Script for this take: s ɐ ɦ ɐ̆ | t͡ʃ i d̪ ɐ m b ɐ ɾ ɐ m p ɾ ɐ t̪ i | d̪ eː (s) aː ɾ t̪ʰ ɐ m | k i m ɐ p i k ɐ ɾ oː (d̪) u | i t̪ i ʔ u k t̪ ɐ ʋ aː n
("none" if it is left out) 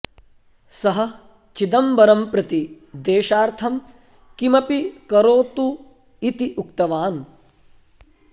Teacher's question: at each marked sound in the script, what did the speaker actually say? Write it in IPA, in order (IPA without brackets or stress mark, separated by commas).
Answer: ʃ, t̪